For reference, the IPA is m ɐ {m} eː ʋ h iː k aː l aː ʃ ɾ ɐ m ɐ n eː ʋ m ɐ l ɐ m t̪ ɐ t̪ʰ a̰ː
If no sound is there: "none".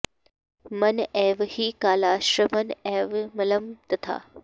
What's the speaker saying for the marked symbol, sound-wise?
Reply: n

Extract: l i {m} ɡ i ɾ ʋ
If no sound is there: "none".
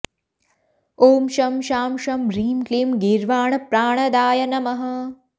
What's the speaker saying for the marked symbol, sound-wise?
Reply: m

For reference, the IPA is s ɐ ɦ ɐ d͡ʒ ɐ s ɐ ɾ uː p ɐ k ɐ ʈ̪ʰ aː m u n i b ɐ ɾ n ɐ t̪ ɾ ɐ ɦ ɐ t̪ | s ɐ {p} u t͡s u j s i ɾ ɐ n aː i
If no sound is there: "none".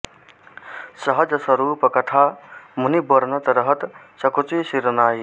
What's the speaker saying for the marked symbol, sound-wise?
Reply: k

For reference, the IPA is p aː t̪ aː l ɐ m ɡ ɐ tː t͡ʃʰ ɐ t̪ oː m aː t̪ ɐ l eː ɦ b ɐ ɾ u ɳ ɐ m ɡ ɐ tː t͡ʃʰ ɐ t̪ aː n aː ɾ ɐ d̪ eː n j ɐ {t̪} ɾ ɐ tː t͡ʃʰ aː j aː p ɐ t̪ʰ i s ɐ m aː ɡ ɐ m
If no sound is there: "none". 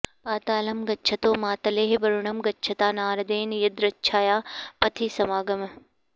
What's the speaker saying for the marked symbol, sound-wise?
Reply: d̪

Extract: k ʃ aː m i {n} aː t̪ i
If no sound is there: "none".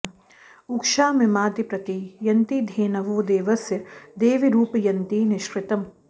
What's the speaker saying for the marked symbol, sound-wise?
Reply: m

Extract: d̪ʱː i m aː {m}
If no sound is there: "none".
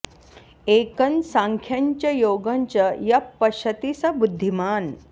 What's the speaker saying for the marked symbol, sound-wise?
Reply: n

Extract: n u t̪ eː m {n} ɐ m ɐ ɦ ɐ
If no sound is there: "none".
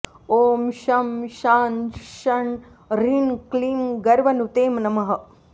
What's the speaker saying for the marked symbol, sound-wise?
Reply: n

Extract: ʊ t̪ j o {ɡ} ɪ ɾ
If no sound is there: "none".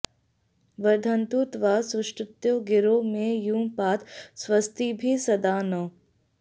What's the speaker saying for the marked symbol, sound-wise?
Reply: ɡ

